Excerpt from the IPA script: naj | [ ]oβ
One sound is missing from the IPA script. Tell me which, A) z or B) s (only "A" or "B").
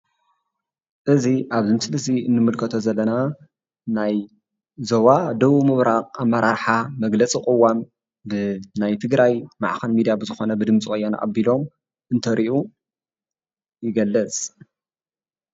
A